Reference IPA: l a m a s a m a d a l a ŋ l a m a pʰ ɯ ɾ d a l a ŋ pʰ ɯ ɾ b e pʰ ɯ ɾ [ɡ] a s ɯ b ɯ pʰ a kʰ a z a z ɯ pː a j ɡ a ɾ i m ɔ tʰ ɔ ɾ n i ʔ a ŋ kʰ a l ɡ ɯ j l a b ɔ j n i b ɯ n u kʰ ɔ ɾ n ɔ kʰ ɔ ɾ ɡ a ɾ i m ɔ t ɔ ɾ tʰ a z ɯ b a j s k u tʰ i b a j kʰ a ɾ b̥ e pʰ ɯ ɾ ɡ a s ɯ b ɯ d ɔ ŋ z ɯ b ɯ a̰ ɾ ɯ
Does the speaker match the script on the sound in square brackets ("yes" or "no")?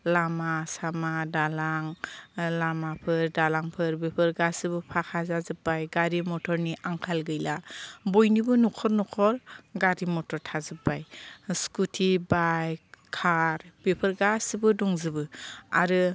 yes